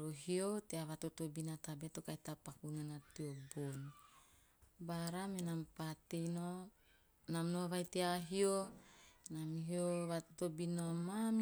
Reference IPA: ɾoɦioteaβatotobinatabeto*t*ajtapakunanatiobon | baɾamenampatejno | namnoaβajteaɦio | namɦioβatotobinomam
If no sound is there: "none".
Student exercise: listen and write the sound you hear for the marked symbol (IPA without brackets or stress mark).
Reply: k